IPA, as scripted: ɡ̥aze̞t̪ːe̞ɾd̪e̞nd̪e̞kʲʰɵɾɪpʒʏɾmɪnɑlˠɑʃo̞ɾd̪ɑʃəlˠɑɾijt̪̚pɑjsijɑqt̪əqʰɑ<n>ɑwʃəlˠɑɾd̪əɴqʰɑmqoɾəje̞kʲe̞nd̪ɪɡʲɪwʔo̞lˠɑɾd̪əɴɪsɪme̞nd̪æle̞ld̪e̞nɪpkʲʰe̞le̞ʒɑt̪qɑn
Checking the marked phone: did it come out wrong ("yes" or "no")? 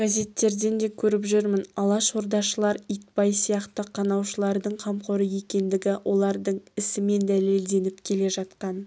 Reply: no